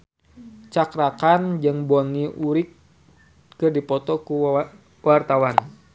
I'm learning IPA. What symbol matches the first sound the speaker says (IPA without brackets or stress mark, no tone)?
t͡ʃ